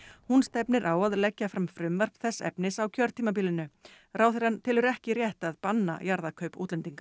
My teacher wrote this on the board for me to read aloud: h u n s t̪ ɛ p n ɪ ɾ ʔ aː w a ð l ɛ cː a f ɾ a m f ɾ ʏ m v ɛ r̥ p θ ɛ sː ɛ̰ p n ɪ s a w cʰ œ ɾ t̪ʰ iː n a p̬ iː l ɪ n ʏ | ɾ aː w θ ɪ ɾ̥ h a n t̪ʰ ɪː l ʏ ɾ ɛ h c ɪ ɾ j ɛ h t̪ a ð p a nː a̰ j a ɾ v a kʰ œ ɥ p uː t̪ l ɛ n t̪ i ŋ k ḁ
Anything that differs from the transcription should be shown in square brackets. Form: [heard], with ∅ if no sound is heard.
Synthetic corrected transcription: h u n s t̪ ɛ p n ɪ ɾ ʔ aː w a ð l ɛ cː a f ɾ a m f ɾ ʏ m v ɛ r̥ p θ ɛ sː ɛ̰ p n ɪ s a w cʰ œ ɾ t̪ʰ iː [m] a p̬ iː l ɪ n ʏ | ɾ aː w θ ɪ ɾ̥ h a n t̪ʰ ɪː l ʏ ɾ ɛ h c ɪ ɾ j ɛ h t̪ a ð p a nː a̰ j a ɾ [ð] a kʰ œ ɥ p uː t̪ l ɛ n t̪ i ŋ k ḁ